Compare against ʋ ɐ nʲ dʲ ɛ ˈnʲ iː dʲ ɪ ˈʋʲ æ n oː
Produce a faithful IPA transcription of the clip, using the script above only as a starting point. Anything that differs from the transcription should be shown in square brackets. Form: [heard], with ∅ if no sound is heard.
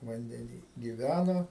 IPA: ʋ ɐ nʲ dʲ ɛ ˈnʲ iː [ɡʲ] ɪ ˈʋʲ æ n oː